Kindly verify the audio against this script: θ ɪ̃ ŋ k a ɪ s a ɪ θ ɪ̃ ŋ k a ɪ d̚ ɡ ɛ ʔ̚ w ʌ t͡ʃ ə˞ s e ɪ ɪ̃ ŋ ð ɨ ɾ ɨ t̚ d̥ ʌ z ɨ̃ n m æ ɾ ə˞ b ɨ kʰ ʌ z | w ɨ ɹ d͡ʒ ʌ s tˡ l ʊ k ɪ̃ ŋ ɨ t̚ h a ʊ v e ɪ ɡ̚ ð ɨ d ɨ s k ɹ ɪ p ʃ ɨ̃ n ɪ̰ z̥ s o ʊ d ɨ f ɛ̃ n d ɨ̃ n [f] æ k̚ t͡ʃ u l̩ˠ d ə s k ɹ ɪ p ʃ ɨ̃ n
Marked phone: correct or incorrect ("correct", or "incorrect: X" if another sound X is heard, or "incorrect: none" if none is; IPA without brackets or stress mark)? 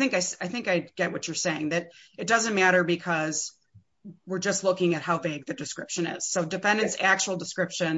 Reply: incorrect: s